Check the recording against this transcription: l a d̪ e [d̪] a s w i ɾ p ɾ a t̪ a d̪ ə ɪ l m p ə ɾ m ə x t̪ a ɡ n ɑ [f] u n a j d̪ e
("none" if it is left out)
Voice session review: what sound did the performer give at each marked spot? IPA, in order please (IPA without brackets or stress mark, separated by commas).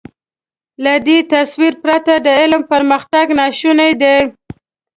t̪, ʃ